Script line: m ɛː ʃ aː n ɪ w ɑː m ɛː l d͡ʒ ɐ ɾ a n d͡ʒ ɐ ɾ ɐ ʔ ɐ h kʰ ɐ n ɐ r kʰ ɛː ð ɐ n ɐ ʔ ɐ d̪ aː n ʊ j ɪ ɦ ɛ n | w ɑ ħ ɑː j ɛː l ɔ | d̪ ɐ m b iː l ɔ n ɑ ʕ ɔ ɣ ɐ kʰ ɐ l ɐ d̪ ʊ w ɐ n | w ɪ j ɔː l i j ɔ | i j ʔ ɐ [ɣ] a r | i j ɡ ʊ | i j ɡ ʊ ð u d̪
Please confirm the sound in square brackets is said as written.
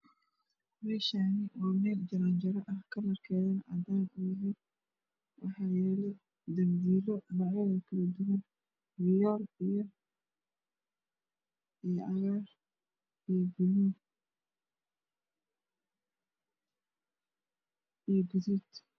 yes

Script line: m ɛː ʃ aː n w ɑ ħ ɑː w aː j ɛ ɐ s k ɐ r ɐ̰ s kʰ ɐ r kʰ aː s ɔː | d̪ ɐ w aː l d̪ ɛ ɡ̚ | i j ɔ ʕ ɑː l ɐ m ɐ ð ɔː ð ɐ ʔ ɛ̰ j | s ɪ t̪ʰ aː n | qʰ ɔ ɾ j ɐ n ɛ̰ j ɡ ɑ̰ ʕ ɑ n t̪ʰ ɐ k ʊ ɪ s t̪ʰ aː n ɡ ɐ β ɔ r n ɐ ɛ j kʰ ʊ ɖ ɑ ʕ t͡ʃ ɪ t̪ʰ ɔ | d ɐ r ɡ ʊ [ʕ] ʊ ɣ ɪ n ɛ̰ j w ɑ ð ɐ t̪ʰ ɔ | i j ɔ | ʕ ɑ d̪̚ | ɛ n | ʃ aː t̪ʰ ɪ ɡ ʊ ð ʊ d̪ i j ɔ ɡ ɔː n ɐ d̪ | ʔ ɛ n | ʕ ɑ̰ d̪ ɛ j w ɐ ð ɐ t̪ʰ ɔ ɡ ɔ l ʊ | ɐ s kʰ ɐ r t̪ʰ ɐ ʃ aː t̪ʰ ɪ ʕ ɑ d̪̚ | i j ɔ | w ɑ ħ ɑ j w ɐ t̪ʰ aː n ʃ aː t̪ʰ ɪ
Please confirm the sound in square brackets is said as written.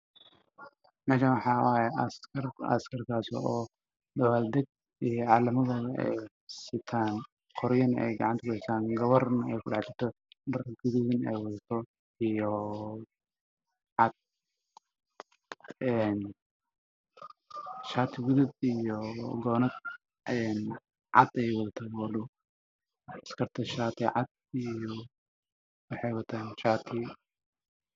no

